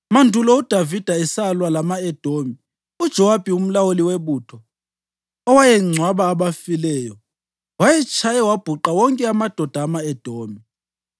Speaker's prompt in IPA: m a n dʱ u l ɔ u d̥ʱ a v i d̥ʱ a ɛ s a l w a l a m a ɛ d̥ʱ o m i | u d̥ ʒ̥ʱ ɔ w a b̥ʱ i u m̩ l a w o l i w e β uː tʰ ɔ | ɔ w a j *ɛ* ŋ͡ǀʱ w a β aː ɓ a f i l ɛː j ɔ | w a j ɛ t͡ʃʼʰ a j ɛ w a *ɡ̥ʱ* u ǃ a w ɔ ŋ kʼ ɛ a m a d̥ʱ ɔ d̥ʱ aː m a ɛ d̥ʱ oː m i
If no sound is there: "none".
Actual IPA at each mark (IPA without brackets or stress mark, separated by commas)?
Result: ɛ, b̥ʱ